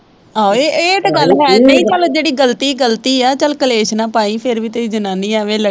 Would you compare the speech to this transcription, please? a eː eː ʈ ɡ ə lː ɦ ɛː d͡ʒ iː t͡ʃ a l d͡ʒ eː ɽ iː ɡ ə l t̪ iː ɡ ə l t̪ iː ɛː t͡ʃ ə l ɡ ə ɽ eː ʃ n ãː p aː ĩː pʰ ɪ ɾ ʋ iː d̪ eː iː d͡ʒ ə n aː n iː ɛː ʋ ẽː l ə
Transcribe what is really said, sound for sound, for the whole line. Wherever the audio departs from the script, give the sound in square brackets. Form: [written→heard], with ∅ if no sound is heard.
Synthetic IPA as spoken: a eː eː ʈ ɡ ə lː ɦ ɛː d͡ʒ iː t͡ʃ [a→ə] l d͡ʒ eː ɽ iː ɡ ə l t̪ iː ɡ ə l t̪ iː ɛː t͡ʃ ə l [ɡ→k] ə [ɽ→l] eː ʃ n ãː p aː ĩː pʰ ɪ ɾ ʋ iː [d̪→t̪] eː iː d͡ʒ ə n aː n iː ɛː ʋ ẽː l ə